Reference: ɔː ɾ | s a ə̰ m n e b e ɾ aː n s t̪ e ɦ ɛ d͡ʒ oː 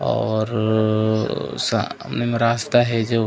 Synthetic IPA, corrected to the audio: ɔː ɾ | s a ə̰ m n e m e ɾ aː s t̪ a ɦ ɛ d͡ʒ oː